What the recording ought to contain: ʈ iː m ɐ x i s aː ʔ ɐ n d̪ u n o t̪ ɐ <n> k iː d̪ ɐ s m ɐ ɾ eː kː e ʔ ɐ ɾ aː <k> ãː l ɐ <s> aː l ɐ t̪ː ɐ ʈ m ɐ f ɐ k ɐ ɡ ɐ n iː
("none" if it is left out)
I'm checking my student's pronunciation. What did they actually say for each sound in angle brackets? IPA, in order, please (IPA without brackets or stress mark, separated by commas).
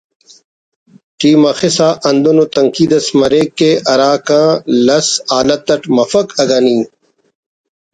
ŋ, k, s